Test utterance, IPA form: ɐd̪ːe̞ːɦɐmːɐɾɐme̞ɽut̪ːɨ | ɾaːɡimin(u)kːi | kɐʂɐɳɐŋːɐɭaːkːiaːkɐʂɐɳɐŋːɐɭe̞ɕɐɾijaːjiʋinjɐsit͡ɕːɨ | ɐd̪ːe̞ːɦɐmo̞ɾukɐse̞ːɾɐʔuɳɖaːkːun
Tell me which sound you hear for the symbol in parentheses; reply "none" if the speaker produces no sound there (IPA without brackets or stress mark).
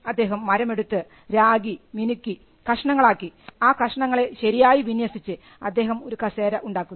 u